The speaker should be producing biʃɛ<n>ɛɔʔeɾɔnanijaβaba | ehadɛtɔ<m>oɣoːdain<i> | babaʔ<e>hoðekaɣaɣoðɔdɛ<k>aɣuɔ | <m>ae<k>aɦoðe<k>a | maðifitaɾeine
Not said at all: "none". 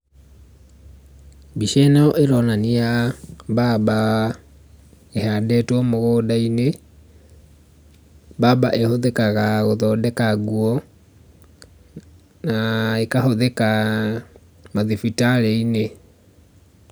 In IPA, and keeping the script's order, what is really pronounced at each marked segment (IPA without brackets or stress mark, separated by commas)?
n, m, e, e, k, n, k, k